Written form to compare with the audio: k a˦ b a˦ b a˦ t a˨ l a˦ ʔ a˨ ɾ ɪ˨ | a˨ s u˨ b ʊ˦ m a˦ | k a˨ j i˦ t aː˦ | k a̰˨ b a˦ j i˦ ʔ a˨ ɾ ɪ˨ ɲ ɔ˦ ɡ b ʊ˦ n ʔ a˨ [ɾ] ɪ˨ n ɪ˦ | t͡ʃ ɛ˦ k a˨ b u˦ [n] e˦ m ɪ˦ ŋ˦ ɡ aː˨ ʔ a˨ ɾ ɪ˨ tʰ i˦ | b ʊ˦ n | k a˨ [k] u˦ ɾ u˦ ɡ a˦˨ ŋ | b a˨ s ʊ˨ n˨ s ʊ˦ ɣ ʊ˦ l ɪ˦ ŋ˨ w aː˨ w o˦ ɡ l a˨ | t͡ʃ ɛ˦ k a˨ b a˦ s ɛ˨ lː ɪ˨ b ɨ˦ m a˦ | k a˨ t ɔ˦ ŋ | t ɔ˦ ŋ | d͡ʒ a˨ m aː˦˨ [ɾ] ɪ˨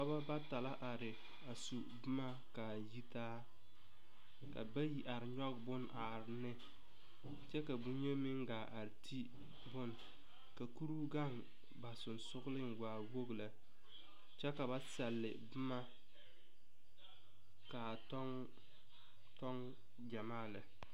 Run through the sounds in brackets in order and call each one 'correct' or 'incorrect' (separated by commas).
correct, incorrect, correct, incorrect